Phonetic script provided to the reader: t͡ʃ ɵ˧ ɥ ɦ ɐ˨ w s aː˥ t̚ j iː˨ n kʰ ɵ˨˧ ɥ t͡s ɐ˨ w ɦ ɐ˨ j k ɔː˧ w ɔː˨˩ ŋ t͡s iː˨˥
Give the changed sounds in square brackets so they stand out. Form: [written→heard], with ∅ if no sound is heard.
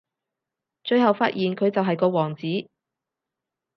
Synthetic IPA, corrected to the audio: t͡ʃ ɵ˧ ɥ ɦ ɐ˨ w [s→f] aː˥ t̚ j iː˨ n kʰ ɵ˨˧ ɥ t͡s ɐ˨ w ɦ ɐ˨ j k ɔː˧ w ɔː˨˩ ŋ t͡s iː˨˥

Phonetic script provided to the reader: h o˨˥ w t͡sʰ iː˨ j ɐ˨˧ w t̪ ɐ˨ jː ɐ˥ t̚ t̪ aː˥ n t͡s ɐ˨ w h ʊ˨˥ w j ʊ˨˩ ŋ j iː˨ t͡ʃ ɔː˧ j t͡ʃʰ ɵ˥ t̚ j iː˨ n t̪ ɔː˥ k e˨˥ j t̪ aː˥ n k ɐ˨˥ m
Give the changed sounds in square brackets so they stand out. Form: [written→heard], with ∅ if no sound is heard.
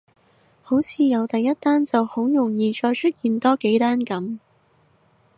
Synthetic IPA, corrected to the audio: h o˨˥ w t͡sʰ iː˨ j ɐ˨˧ w t̪ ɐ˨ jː ɐ˥ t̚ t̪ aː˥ n t͡s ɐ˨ w h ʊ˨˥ w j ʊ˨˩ ŋ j iː˨ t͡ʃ ɔː˧ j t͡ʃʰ ɵ˥ t̚ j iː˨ n t̪ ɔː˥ k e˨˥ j t̪ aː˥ n k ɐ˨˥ m

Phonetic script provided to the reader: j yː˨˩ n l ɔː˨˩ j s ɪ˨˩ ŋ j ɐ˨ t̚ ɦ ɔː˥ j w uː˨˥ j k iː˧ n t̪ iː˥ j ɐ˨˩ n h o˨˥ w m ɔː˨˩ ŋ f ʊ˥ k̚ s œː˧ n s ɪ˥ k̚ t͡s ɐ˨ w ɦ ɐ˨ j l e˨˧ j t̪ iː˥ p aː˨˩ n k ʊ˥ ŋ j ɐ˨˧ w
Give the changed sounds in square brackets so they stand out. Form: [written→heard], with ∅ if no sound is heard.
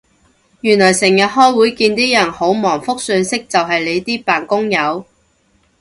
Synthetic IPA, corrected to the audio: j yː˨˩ n l ɔː˨˩ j s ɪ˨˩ ŋ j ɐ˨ t̚ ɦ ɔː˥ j w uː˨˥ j k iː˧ n t̪ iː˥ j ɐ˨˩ n h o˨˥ w m ɔː˨˩ ŋ f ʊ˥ k̚ s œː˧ n s ɪ˥ k̚ t͡s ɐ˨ w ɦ ɐ˨ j l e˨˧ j t̪ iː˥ p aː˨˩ n k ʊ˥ ŋ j ɐ˨˧ w

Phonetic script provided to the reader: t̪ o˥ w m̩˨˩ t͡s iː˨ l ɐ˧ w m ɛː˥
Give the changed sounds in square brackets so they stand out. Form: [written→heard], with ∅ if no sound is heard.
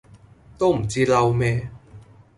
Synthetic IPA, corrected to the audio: t̪ o˥ w m̩˨˩ t͡s [iː˨→iː˥] l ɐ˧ w m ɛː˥

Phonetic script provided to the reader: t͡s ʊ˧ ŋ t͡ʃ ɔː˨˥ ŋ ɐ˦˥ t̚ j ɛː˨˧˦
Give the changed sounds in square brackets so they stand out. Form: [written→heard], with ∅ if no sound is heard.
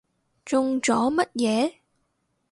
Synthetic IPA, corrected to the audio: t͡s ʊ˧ ŋ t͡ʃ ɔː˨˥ [ŋ→m] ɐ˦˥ t̚ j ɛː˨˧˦

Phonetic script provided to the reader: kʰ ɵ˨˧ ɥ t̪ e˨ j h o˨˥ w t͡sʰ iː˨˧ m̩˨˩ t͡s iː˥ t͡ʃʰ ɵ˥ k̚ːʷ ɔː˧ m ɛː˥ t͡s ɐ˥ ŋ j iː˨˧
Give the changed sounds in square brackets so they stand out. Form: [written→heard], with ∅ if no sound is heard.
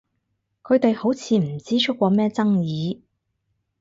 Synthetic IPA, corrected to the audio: kʰ ɵ˨˧ ɥ t̪ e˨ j h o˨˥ w t͡sʰ iː˨˧ m̩˨˩ t͡s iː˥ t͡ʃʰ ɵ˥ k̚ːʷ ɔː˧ m ɛː˥ t͡s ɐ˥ ŋ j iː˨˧

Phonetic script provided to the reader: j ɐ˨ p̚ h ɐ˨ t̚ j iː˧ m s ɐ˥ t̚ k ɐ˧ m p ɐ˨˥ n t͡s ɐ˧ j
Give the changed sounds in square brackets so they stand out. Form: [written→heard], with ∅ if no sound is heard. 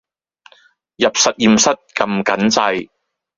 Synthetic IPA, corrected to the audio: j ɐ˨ p̚ [h→s] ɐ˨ t̚ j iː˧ m s ɐ˥ t̚ k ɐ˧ m [p→k] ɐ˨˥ n t͡s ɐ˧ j

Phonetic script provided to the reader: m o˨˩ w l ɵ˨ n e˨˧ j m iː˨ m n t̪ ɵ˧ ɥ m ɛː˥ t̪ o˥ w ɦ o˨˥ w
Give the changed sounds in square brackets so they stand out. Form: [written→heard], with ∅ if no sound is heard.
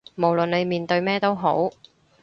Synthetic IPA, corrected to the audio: m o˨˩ w l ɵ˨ n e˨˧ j m iː˨ [m→∅] n t̪ ɵ˧ ɥ m ɛː˥ t̪ o˥ w ɦ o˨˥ w

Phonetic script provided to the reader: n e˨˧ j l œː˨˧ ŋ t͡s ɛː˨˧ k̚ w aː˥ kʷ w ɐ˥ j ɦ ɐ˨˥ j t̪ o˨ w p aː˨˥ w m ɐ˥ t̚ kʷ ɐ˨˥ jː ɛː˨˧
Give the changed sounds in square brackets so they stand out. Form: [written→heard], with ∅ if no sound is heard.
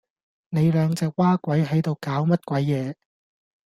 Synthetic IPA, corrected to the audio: n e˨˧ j l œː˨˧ ŋ t͡s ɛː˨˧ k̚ w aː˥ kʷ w [ɐ˥→ɐ˨˥] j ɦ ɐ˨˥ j t̪ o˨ w [p→k] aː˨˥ w m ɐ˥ t̚ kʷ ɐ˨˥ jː ɛː˨˧

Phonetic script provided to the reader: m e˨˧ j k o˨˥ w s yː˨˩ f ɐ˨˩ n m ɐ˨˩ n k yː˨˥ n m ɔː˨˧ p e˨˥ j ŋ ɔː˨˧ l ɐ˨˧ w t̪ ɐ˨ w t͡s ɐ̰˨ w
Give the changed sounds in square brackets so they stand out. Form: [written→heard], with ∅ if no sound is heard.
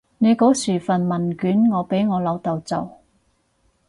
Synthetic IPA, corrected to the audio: [m→n] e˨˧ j k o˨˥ w s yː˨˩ f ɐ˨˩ n m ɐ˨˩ n k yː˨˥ n [m→ŋ] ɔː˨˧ p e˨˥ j ŋ ɔː˨˧ l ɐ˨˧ w t̪ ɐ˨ w t͡s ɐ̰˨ w

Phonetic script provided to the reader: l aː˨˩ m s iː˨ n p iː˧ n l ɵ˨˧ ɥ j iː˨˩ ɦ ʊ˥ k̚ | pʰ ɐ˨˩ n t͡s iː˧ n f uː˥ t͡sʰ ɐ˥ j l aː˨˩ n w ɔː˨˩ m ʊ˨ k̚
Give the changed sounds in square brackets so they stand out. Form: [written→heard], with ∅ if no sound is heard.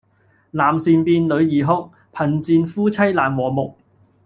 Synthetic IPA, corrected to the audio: l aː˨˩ m s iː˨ n p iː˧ n l ɵ˨˧ ɥ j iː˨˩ ɦ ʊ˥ k̚ | pʰ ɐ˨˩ n t͡s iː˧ n f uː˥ t͡sʰ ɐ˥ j l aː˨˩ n w ɔː˨˩ m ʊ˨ k̚

